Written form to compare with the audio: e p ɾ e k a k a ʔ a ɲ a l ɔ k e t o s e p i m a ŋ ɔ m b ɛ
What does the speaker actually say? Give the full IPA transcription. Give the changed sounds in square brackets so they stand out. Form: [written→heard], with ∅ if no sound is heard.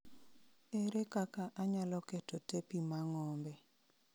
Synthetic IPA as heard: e [p→∅] ɾ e k a k a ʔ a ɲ a l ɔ k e t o [s→t] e p i m a ŋ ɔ m b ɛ